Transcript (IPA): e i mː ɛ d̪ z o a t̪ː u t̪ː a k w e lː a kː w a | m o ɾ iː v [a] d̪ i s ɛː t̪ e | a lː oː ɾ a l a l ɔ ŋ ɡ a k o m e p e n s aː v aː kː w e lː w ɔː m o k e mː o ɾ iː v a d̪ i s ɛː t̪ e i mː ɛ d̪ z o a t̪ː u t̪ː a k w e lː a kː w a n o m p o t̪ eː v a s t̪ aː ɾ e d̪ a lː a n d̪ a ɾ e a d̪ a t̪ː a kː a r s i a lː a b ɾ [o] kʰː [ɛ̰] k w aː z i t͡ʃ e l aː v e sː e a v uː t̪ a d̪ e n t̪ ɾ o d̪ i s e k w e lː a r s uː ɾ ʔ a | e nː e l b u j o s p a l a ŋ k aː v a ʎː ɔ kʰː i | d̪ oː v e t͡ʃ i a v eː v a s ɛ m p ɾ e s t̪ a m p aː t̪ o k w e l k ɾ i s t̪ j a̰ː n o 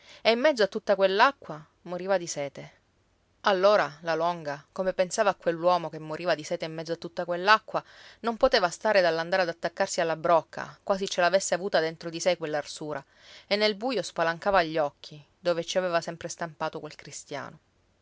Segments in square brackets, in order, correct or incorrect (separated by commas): correct, incorrect, incorrect